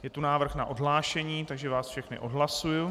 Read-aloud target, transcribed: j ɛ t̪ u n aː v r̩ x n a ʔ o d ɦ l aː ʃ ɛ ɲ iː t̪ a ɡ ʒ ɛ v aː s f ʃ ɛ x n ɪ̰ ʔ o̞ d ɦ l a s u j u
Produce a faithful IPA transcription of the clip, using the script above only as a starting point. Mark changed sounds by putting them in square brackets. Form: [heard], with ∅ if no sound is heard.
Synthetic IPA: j ɛ t̪ u n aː v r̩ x n a ʔ o d ɦ l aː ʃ ɛ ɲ iː t̪ a ɡ ʒ ɛ v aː s f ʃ ɛ x n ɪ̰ ʔ o̞ d ɦ l a s u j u

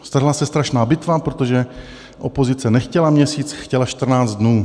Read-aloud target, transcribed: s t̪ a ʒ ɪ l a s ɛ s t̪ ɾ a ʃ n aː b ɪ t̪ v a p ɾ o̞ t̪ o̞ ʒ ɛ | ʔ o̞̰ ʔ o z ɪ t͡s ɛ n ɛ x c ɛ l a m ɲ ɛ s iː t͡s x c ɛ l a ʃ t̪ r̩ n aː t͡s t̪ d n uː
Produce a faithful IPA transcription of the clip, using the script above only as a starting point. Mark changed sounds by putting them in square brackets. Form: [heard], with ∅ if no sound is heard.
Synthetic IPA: s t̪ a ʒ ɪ l a s ɛ s t̪ ɾ a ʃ n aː b ɪ t̪ v a p ɾ o̞ t̪ o̞ ʒ ɛ | ʔ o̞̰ [p] o z ɪ t͡s ɛ n ɛ x c ɛ l a m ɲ ɛ s iː t͡s x c ɛ l a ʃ t̪ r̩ n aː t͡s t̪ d n uː

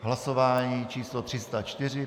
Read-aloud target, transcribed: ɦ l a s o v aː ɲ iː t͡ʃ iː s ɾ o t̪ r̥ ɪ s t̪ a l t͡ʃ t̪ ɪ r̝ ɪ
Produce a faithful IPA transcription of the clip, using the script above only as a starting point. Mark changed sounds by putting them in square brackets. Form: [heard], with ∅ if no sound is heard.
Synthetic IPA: ɦ l a s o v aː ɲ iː t͡ʃ iː s [l] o t̪ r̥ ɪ s t̪ a [∅] t͡ʃ t̪ ɪ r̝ ɪ

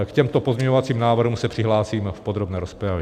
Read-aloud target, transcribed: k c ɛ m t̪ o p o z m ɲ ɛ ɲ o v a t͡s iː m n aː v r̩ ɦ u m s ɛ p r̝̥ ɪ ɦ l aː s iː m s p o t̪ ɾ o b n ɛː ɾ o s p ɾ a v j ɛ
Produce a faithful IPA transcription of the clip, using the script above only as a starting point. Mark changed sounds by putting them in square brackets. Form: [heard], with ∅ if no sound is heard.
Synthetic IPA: k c ɛ m t̪ o p o z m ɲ ɛ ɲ o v a t͡s iː m n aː v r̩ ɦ u m s ɛ p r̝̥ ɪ ɦ l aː s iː m [f] p o [d̪] ɾ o b n ɛː ɾ o s p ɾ a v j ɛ

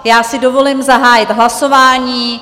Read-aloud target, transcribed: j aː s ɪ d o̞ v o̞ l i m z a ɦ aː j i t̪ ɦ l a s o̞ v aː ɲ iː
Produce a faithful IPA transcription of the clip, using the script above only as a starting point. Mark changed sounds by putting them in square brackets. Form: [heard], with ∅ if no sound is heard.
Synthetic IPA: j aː s ɪ d o̞ v o̞ l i m z a ɦ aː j [ɪ] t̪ ɦ l a s o̞ v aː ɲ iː

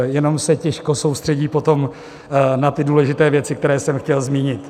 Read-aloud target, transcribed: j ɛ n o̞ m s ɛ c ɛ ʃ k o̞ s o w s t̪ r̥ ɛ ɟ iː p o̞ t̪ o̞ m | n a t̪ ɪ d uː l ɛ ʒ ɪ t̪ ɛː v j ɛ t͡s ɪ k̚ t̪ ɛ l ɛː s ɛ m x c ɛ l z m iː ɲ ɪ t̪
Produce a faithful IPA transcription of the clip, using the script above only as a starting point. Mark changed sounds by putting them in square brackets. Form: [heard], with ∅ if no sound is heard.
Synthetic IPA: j ɛ n o̞ m s ɛ c ɛ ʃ k o̞ s o w s t̪ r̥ ɛ ɟ iː p o̞ t̪ o̞ m | n a t̪ ɪ d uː l ɛ ʒ ɪ t̪ ɛː v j ɛ t͡s ɪ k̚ t̪ ɛ [ɾ] ɛː s ɛ m x c ɛ l z m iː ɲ ɪ t̪

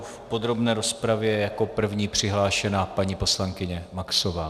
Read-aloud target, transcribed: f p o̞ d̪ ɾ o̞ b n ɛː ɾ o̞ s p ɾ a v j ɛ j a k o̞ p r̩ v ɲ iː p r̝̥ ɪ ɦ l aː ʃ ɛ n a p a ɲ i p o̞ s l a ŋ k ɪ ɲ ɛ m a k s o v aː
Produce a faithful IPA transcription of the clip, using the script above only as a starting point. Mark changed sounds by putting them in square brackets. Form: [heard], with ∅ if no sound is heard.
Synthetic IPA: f p o̞ d̪ ɾ o̞ b n ɛː ɾ o̞ s p ɾ a v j ɛ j a k o̞ p r̩ v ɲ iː p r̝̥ ɪ ɦ l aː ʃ ɛ n a p a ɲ i p o̞ s l a ŋ k ɪ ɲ ɛ m a k s o v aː

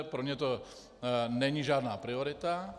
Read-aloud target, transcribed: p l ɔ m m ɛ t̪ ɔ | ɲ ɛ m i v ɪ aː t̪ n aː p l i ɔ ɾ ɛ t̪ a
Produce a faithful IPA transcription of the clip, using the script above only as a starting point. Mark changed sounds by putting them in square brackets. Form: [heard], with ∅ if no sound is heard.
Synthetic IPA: p [ɾ] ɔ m [ɲ] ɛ t̪ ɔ | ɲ ɛ [ɲ] i [ʒ] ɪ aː [d̪] n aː p [ɾ] i ɔ ɾ [i] t̪ a

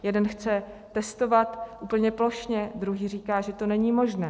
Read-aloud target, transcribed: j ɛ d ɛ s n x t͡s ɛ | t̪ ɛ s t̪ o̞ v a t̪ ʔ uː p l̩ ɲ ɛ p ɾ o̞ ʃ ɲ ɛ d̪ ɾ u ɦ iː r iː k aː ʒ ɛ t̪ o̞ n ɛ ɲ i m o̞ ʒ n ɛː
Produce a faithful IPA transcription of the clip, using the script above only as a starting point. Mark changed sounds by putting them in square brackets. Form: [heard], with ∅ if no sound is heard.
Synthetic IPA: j ɛ d ɛ [∅] n x t͡s ɛ | t̪ ɛ s t̪ o̞ v a t̪ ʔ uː p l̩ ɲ ɛ p [l] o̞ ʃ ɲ ɛ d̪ ɾ u ɦ iː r iː k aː ʒ ɛ t̪ o̞ n ɛ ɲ i m o̞ ʒ n ɛː

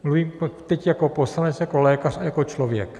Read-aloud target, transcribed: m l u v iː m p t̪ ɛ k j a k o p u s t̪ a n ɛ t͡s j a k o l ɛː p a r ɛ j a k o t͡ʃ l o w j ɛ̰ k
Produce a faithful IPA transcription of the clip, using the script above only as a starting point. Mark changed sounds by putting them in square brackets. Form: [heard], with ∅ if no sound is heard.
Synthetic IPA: m l u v iː m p t̪ ɛ [c] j a k o p [o] s t̪ a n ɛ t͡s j a k o l ɛː [k] a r [a] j a k o t͡ʃ l o [v] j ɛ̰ k

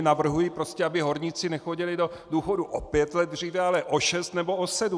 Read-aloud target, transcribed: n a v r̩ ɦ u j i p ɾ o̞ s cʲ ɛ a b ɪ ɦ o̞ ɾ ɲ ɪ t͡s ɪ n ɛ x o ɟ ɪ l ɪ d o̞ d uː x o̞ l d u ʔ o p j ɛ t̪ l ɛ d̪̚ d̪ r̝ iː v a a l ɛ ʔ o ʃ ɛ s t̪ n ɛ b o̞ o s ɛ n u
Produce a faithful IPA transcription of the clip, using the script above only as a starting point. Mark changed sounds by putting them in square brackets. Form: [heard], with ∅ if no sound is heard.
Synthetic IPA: n a v r̩ ɦ u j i p ɾ o̞ s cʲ ɛ a b ɪ ɦ o̞ ɾ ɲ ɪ t͡s ɪ n ɛ x o ɟ ɪ l ɪ d o̞ d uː x o̞ [∅] d u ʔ o p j ɛ t̪ l ɛ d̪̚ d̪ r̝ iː v [ɛ] a l ɛ ʔ o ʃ ɛ s t̪ n ɛ b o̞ o s ɛ [d] u

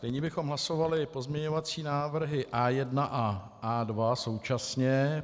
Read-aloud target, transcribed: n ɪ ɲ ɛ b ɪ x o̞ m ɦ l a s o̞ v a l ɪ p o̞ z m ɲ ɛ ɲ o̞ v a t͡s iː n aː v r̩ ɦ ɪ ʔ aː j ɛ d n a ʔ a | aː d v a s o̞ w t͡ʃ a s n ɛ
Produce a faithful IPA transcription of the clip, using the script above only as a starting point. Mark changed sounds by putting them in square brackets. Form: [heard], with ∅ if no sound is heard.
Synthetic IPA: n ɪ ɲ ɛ b ɪ x o̞ m ɦ l a s o̞ v a l ɪ p o̞ z m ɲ ɛ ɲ o̞ v a t͡s iː n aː v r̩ ɦ ɪ ʔ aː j ɛ d n a ʔ a | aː d v a s o̞ w t͡ʃ a s [ɲ] ɛ

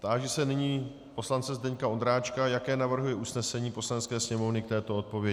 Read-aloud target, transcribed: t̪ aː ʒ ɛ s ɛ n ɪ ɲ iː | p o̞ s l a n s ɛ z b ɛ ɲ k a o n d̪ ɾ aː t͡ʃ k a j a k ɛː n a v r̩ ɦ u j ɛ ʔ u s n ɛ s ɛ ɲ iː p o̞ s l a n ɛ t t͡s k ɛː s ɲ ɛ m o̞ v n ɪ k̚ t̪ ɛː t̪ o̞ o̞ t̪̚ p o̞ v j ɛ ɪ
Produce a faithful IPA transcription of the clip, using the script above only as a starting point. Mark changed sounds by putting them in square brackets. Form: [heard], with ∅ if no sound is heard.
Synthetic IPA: t̪ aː ʒ ɛ s ɛ n ɪ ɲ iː | p o̞ s l a n [t͡s] ɛ z [d] ɛ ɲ k a o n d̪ ɾ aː t͡ʃ k a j a k ɛː n a v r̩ ɦ u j ɛ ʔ u s n ɛ s ɛ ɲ iː p o̞ s l a n ɛ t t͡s k ɛː s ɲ ɛ m o̞ v n ɪ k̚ t̪ ɛː t̪ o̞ o̞ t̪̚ p o̞ v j ɛ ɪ

